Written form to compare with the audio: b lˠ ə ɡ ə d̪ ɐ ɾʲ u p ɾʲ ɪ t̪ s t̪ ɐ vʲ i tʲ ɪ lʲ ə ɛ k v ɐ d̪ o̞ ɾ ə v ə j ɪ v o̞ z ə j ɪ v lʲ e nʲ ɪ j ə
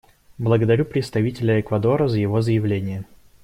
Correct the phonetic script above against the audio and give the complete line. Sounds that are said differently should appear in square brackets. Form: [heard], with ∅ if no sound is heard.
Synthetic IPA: b lˠ ə ɡ ə d̪ ɐ ɾʲ u p ɾʲ ɪ t̪ s t̪ ɐ vʲ i tʲ ɪ lʲ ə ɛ k v ɐ d̪ o̞ ɾ ə [z] ə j ɪ v o̞ z ə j ɪ v lʲ e nʲ ɪ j ə

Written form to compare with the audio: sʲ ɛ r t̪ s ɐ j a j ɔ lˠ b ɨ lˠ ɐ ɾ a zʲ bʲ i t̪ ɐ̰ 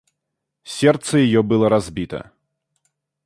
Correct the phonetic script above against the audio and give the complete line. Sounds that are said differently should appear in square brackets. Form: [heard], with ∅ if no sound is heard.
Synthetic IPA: sʲ ɛ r t̪ s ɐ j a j ɔ [∅] b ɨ lˠ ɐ ɾ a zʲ bʲ i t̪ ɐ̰

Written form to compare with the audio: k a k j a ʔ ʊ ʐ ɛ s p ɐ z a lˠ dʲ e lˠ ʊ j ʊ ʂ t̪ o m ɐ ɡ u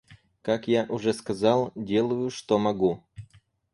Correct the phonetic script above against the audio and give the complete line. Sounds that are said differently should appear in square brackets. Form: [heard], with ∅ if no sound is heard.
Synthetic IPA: k a k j a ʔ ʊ ʐ ɛ s [k] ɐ z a lˠ dʲ e lˠ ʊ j ʊ ʂ t̪ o m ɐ ɡ u

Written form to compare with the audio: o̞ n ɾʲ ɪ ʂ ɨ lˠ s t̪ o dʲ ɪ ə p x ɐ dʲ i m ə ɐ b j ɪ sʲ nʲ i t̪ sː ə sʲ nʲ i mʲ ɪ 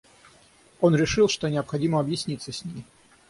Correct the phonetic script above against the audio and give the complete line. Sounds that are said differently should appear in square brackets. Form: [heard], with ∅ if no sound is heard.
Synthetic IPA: o̞ n ɾʲ ɪ ʂ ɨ lˠ [ʂ] t̪ o [nʲ] ɪ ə p x ɐ dʲ i m ə ɐ b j ɪ sʲ nʲ i t̪ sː ə sʲ nʲ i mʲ ɪ

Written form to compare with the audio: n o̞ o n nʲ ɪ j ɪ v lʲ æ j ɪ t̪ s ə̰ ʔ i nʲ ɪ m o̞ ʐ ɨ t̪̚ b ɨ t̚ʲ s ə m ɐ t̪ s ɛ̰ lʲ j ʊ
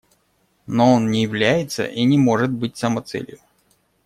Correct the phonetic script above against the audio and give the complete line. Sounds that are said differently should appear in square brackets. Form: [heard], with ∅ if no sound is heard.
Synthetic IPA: n o̞ o n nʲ ɪ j ɪ v lʲ æ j ɪ t̪ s ə̰ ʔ i nʲ ɪ m o̞ ʐ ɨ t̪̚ b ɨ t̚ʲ s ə m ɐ t̪ s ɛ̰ lʲ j ʊ

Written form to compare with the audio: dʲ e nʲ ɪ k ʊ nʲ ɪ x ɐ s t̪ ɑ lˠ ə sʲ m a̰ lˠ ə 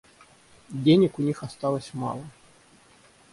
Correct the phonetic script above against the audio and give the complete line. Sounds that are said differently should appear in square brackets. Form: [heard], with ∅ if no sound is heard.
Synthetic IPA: dʲ e nʲ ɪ k ʊ nʲ [i] x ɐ s t̪ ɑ lˠ ə sʲ m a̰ lˠ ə

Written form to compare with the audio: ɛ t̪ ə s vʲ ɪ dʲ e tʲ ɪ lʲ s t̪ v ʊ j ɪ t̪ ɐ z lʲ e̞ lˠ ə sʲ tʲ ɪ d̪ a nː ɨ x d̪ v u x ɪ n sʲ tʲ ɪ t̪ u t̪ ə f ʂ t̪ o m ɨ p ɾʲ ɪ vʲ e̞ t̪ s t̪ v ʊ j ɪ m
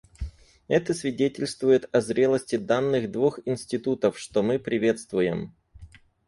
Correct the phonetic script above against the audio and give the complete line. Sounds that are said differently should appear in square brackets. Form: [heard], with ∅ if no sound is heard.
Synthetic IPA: ɛ t̪ ə s vʲ ɪ dʲ e tʲ ɪ lʲ s t̪ v ʊ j ɪ t̪ ɐ z [ɾʲ] e̞ lˠ ə sʲ tʲ ɪ d̪ a nː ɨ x d̪ v u x ɪ n sʲ tʲ ɪ t̪ u t̪ ə f ʂ t̪ o m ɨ p ɾʲ ɪ vʲ e̞ t̪ s t̪ v ʊ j ɪ m

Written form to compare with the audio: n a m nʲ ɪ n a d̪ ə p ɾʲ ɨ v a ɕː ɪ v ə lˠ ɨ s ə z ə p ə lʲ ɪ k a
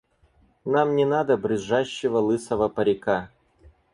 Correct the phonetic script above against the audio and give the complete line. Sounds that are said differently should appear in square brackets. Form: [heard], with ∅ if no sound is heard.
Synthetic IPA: n a m nʲ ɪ n a d̪ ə [b] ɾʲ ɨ [ʐ] a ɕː ɪ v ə lˠ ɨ s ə [v] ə p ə [ɾʲ] ɪ k a

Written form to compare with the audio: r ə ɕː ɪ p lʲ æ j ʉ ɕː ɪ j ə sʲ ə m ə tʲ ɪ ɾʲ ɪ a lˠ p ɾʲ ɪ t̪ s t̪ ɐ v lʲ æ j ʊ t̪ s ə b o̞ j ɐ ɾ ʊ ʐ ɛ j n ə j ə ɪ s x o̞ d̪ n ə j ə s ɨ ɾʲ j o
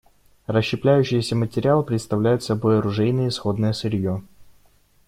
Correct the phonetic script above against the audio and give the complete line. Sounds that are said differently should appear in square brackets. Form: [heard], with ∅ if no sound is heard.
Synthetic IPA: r ə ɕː ɪ p lʲ æ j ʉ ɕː ɪ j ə sʲ ə m ə tʲ ɪ ɾʲ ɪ a lˠ p ɾʲ ɪ t̪ s t̪ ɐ v lʲ æ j ʊ t̪ s [ɐ] b o̞ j ɐ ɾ ʊ ʐ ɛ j n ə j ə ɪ s x o̞ d̪ n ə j ə s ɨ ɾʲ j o

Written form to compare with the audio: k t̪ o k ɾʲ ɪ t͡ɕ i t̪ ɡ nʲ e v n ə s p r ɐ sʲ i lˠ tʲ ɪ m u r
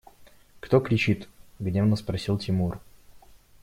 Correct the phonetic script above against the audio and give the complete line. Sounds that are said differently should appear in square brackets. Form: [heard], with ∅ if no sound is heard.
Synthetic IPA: k t̪ o k ɾʲ ɪ t͡ɕ i t̪ ɡ nʲ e v n ə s p [ɾ] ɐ sʲ i lˠ tʲ ɪ m u r

